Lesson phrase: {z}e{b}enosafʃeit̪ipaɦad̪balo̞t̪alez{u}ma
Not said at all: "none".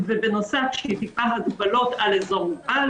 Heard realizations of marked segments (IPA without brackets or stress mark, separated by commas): v, b, o